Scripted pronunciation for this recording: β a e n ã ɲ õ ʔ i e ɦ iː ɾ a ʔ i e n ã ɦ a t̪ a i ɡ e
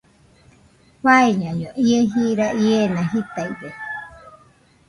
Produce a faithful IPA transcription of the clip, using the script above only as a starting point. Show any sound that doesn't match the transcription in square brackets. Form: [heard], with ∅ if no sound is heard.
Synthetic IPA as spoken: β a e [ɲ] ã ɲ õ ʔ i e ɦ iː ɾ a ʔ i e n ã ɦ [i] t̪ a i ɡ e